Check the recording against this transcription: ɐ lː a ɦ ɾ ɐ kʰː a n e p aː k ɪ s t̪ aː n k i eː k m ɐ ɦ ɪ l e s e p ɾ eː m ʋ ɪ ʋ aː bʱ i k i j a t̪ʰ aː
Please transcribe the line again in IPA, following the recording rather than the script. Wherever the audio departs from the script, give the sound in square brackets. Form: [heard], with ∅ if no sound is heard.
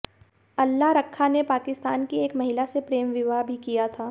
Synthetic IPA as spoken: ɐ lː a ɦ ɾ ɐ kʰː a n e p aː k ɪ s t̪ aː n k i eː k m ɐ ɦ ɪ l [a] s e p ɾ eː m ʋ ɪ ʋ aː bʱ i k i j a t̪ʰ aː